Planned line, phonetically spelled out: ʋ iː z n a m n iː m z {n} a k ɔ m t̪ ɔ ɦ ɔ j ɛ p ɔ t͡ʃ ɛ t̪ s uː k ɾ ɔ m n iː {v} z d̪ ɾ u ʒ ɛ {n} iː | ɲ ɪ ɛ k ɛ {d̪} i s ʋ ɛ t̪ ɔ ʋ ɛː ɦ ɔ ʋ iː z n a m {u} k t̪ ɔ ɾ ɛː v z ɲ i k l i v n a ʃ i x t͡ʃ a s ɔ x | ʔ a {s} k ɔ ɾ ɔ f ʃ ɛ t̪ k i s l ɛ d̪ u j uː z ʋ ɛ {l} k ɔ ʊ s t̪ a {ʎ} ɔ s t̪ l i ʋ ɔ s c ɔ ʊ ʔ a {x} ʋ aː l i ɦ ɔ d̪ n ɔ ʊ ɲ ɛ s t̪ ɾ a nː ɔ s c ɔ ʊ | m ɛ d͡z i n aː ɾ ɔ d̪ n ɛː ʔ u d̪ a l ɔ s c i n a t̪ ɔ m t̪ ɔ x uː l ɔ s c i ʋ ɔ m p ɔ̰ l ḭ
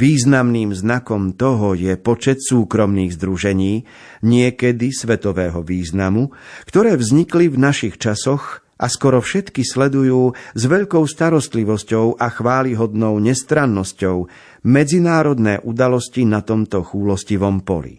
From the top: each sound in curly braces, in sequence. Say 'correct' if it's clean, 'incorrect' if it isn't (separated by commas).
correct, incorrect, incorrect, correct, correct, correct, incorrect, incorrect, correct